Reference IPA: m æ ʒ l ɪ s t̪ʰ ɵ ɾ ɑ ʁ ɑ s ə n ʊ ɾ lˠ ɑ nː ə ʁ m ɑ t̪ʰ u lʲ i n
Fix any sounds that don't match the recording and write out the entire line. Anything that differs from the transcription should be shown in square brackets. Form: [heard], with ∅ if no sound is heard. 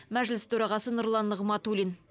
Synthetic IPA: m æ ʒ l ɪ s t̪ʰ ɵ ɾ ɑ ʁ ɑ s ə n ʊ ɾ lˠ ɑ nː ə ʁ m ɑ [t̪] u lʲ i n